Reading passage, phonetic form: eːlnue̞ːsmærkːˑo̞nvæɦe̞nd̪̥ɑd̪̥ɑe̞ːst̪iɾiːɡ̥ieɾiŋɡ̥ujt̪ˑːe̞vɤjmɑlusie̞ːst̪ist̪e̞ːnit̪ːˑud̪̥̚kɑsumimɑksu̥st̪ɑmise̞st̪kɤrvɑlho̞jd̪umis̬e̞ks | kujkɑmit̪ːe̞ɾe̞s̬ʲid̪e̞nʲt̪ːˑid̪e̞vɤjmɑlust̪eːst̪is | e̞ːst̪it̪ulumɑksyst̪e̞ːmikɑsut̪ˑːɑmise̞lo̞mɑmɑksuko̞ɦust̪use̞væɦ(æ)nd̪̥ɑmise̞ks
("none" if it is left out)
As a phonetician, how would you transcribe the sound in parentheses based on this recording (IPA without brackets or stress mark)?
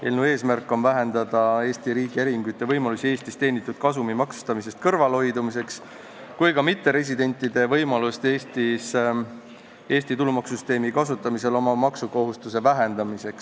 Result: e